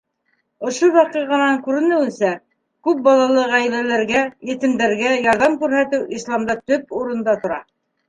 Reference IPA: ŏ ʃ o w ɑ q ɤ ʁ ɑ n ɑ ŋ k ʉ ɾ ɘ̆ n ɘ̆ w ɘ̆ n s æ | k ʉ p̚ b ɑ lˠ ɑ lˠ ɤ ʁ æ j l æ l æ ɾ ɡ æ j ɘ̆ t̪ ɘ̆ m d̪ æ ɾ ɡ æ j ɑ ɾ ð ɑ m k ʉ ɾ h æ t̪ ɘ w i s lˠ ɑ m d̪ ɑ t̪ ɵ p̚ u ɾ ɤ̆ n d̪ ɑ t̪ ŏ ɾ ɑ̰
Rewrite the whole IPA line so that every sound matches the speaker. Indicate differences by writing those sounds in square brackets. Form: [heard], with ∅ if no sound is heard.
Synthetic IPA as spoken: ŏ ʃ o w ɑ q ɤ ʁ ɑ n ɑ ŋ k ʉ ɾ ɘ̆ n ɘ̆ w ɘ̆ n s æ | k ʉ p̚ b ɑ lˠ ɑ lˠ ɤ ʁ æ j l æ l æ ɾ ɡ æ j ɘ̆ t̪ ɘ̆ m d̪ æ ɾ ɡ æ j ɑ ɾ ð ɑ m k ʉ ɾ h æ t̪ ɘ w i s lˠ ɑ m d̪ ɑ t̪ ɵ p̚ u ɾ ɤ̆ n d̪ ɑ t̪ ŏ ɾ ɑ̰